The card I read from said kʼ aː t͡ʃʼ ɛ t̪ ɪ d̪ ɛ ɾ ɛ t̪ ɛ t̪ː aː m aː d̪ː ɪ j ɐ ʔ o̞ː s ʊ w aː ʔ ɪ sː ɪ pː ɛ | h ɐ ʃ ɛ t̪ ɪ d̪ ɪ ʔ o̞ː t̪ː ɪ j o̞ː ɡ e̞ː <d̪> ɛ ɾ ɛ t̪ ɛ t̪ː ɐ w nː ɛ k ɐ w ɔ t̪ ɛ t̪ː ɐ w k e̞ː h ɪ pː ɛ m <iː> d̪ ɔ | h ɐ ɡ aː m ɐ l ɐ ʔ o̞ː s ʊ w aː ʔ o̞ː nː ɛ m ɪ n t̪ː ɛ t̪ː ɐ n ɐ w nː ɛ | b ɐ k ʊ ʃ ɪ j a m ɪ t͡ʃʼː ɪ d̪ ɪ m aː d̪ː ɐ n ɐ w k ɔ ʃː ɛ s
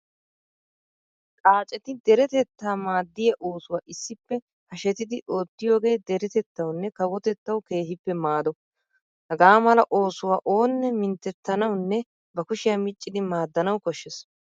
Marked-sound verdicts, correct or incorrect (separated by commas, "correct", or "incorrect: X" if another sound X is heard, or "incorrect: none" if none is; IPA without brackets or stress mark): correct, incorrect: aː